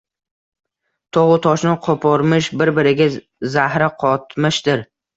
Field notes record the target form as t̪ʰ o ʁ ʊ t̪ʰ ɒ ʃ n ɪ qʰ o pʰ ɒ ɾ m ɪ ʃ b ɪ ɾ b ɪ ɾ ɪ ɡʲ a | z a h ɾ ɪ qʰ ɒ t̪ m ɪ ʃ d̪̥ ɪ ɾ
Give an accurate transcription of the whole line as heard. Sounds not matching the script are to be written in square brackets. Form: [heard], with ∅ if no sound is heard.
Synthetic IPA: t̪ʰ o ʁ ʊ t̪ʰ ɒ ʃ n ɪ qʰ o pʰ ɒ ɾ m ɪ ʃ b ɪ ɾ b ɪ ɾ ɪ ɡʲ a | z a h ɾ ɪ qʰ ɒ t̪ m ɪ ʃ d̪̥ ɪ ɾ